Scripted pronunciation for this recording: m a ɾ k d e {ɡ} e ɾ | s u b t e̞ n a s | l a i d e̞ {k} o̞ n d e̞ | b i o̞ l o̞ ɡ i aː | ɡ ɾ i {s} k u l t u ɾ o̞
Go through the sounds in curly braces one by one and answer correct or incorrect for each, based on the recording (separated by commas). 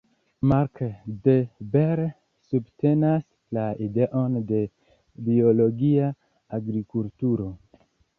incorrect, incorrect, incorrect